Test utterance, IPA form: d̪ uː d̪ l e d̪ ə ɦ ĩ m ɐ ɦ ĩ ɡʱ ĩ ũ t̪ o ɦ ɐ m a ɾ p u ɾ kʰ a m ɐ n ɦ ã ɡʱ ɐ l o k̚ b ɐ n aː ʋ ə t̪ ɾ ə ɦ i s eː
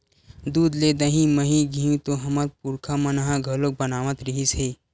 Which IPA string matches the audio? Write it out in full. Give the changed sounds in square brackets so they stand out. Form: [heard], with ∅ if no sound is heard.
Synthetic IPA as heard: d̪ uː d̪ l e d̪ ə ɦ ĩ m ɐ ɦ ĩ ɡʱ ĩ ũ t̪ o ɦ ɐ m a ɾ p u ɾ kʰ a m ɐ n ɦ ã ɡʱ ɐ l o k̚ b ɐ n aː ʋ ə t̪ ɾ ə ɦ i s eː